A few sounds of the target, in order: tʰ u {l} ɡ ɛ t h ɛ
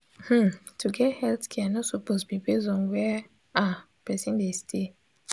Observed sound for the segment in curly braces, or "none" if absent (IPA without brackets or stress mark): none